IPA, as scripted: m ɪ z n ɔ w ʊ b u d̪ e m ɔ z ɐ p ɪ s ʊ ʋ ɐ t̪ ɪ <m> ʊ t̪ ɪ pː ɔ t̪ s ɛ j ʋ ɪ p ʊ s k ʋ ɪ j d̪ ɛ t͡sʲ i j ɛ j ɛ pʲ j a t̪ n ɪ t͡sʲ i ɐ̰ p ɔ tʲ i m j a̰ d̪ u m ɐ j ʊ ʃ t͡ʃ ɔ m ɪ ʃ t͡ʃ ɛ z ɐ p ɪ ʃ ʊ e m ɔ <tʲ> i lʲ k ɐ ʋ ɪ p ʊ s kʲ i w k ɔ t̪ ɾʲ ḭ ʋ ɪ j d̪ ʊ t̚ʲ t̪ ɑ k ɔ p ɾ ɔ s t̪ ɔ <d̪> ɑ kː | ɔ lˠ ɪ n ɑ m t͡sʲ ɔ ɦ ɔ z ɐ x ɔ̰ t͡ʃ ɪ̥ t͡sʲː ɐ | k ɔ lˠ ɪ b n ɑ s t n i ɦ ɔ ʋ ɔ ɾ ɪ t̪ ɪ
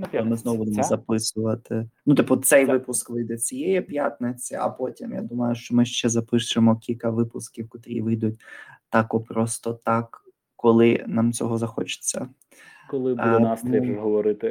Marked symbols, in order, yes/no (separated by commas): no, no, no